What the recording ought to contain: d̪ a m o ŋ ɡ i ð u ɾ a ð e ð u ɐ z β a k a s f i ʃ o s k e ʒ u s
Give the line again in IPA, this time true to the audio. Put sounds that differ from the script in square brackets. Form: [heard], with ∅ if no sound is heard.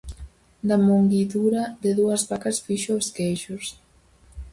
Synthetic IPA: d̪ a m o ŋ ɡ i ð u ɾ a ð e ð u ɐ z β a k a s f i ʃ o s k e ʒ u s